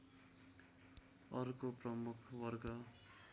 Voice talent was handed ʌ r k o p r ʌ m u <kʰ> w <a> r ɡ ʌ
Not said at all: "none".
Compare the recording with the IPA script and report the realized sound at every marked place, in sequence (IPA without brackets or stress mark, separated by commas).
kʰ, ʌ